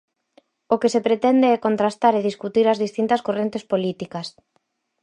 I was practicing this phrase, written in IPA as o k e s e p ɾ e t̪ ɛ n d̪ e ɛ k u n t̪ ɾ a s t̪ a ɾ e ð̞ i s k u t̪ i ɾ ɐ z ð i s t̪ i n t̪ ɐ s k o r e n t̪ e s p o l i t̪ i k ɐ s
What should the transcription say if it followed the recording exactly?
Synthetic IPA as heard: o k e s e p ɾ e t̪ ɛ n d̪ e ɛ k o n t̪ ɾ a s t̪ a ɾ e ð̞ i s k u t̪ i ɾ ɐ z ð i s t̪ i n t̪ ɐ s k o r e n t̪ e s p o l i t̪ i k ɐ s